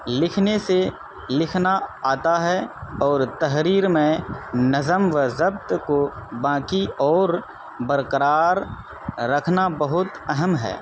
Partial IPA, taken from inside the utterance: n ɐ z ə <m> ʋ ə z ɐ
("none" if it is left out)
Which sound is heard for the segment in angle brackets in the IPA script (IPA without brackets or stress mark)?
m